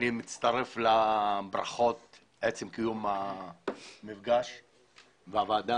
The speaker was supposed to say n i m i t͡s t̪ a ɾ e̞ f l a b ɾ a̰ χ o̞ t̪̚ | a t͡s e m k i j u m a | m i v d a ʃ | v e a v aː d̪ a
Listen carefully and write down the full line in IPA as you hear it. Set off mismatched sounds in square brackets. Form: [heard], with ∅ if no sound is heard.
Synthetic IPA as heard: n i m i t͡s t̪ a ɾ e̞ f l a b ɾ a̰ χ o̞ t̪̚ | [e] t͡s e m k i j u m a | m i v [ɡ] a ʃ | v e a v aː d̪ a